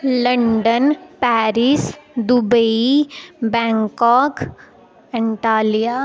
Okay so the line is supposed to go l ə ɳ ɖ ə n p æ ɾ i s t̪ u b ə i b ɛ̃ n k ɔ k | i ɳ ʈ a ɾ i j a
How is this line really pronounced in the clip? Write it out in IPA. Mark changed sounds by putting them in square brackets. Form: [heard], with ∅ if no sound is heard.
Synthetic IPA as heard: l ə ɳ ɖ ə n p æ ɾ i s [d̪] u b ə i b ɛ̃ [ŋ] k ɔ k | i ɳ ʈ a [l] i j a